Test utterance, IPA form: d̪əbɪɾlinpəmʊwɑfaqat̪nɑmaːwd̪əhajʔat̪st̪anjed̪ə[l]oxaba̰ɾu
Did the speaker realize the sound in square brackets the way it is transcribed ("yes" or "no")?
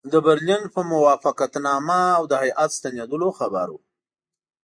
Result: yes